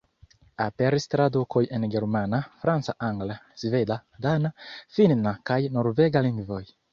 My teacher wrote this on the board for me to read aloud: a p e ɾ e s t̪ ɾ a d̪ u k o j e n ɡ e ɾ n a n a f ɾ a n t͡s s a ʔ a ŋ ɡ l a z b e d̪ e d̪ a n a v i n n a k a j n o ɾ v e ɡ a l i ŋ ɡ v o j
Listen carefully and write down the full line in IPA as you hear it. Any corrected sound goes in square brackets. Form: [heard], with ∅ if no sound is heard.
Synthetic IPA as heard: a p e ɾ [i] s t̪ ɾ a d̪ u k o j e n ɡ e ɾ [m] a n a f ɾ a n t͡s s a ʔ a ŋ ɡ l a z [v] e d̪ [a] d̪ a n a [f] i n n a k a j n o ɾ v e ɡ a l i ŋ ɡ v o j

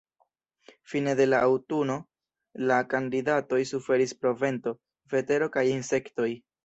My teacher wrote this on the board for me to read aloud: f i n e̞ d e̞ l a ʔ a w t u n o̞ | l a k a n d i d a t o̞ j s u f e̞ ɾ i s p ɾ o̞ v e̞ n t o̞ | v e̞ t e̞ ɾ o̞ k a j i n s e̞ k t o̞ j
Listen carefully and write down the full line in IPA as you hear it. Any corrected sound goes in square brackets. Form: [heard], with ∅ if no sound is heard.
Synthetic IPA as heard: f i n e̞ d e̞ l a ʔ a w t u n o̞ | l a k a n d i d a t o̞ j s u f e̞ ɾ i s p ɾ o̞ v e̞ n t o̞ | v e̞ t e̞ ɾ o̞ k a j i n s e̞ k t o̞ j

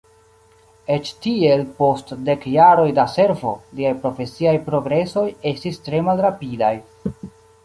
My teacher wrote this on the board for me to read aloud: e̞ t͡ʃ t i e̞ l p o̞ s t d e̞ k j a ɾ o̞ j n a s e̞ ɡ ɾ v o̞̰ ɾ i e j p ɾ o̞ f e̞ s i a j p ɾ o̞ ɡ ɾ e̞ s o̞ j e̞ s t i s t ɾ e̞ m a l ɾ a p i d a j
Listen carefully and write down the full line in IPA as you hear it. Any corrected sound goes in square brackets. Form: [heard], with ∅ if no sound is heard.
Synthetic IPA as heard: e̞ t͡ʃ t i e̞ l p o̞ s t d e̞ k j a ɾ o̞ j [d] a s e̞ [∅] ɾ v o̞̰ [l] i [a] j p ɾ o̞ f e̞ s i a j p ɾ o̞ ɡ ɾ e̞ s o̞ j e̞ s t i s t ɾ e̞ m a l ɾ a p i d a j

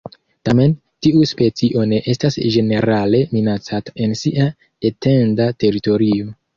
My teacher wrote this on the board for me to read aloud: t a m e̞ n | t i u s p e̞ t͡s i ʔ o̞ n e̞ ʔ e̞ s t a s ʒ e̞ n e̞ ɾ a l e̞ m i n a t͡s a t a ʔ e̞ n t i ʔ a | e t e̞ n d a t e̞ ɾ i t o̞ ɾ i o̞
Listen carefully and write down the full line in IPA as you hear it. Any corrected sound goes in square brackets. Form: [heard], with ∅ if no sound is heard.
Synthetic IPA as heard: t a m e̞ n | t i u s p e̞ t͡s i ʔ o̞ n e̞ ʔ e̞ s t a s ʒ e̞ n e̞ ɾ a l e̞ m i n a t͡s a t a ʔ e̞ n [s] i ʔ a | e t e̞ n d a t e̞ ɾ i t o̞ ɾ i o̞

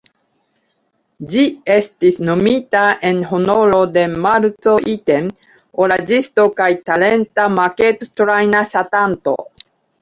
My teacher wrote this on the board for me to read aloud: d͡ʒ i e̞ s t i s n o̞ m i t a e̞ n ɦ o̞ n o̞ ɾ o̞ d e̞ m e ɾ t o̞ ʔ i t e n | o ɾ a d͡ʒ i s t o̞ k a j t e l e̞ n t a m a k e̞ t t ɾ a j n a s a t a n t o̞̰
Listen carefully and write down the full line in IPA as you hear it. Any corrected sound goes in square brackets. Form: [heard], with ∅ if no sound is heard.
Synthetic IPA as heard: d͡ʒ i e̞ s t i s n o̞ m i t a e̞ n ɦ o̞ n o̞ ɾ o̞ d e̞ m [a] ɾ [t͡s] o̞ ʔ i t e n | o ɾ a d͡ʒ i s t o̞ k a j t [a] l e̞ n t a m a k e̞ t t ɾ a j n a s a t a n t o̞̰

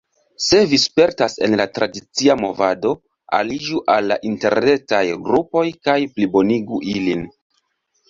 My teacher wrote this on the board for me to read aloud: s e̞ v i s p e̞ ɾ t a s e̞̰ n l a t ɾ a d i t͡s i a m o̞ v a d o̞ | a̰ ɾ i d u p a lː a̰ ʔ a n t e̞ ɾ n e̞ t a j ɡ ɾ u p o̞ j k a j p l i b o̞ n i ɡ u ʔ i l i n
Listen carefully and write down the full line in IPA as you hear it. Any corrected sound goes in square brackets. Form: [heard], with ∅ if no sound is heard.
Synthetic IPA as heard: s e̞ v i s p e̞ ɾ t a s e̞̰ n l a t ɾ a d i t͡s i a m o̞ v a d o̞ | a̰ [l] i [d͡ʒ] u [ʔ] a lː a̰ ʔ [i] n t e̞ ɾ n e̞ t a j ɡ ɾ u p o̞ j k a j p l i b o̞ n i ɡ u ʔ i l i n

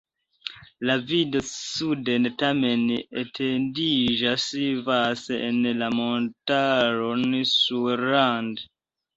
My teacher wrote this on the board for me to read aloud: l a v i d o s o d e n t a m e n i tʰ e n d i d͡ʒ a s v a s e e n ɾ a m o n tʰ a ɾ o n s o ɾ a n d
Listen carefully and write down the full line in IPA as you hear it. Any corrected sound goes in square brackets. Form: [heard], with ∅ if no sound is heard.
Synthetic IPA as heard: l a v i d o s [u] d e n t a m e n [e] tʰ e n d i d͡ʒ a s v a s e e n [l] a m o n [t] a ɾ o n s [u] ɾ a n d

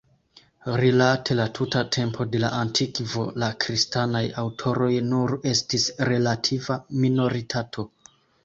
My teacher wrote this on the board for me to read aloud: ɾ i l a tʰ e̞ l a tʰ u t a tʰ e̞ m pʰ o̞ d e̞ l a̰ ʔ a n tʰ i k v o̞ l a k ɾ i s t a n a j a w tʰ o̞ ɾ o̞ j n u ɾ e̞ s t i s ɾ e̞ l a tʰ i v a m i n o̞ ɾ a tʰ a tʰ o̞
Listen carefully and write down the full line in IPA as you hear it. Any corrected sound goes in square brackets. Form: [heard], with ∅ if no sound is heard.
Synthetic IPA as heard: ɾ i l a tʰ e̞ l a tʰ u t a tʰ e̞ m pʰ o̞ d e̞ l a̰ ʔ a n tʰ i k v o̞ l a k ɾ i s t a n a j a w tʰ o̞ ɾ o̞ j n u ɾ e̞ s t i s ɾ e̞ l a tʰ i v a m i n o̞ ɾ [i] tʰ a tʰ o̞

